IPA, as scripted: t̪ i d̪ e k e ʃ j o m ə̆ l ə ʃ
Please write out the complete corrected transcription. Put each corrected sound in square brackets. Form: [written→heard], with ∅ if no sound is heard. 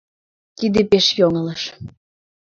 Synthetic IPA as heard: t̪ i d̪ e [k→p] e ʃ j o [m→ŋ] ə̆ l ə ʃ